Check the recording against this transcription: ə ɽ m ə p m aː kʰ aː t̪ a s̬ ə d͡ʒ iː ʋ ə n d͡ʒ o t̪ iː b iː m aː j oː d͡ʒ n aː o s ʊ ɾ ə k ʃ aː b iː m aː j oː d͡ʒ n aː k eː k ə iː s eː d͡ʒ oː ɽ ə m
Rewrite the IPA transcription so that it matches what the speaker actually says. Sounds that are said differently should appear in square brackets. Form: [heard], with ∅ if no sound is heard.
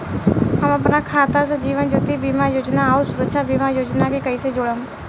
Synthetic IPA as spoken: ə [∅] m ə p [n] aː kʰ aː t̪ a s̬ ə d͡ʒ iː ʋ ə n d͡ʒ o t̪ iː b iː m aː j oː d͡ʒ n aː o s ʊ ɾ ə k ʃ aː b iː m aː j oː d͡ʒ n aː k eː k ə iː s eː d͡ʒ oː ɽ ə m